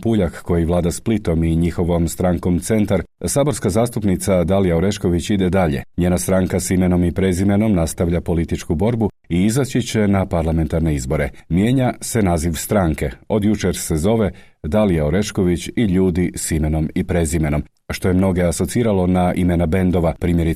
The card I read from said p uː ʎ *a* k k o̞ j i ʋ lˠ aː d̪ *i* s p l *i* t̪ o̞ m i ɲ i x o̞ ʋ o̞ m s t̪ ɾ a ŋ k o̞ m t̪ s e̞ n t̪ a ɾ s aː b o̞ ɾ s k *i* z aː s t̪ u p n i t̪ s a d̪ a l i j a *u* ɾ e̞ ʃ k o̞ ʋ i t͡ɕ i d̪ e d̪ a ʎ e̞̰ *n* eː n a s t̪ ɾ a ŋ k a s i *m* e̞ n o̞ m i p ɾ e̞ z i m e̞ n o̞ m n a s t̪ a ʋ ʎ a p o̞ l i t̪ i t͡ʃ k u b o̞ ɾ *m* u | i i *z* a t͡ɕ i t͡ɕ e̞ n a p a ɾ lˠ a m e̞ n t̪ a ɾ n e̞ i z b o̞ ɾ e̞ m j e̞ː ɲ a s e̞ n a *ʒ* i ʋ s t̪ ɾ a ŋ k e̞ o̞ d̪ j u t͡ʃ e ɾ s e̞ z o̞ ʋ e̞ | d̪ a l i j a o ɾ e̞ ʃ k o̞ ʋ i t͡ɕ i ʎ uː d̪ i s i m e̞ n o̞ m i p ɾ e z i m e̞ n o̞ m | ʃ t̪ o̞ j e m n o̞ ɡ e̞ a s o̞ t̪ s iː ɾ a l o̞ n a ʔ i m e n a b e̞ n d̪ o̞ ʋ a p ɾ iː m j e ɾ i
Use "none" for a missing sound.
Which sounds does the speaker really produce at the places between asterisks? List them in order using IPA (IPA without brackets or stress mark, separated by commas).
a, a, i, a, o, ɲ, m, b, z, z